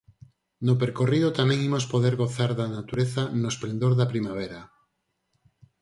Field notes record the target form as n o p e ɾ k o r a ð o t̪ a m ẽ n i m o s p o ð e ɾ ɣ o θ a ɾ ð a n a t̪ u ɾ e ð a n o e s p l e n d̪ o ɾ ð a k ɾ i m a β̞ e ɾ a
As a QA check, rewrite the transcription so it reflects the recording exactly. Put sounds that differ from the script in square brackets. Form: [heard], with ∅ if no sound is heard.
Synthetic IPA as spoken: n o p e ɾ k o r [i] ð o t̪ a m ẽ [ŋ] i m o s p o ð e ɾ ɣ o θ a ɾ ð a n a t̪ u ɾ e [θ] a n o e s p l e n d̪ o ɾ ð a [p] ɾ i m a β̞ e ɾ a